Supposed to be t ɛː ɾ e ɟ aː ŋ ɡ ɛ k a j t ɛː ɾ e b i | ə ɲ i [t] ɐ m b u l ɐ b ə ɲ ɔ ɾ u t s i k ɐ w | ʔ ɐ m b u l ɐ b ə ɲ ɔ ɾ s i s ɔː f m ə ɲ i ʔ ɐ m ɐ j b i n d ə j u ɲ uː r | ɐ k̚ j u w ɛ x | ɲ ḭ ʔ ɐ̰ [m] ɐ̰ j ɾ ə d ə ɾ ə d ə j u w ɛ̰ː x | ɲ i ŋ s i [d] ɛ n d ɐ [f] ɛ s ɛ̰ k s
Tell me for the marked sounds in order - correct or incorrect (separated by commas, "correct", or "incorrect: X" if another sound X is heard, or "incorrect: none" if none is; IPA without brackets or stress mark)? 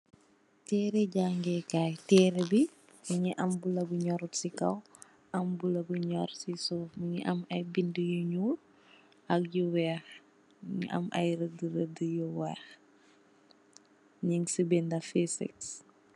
incorrect: ʔ, correct, incorrect: b, correct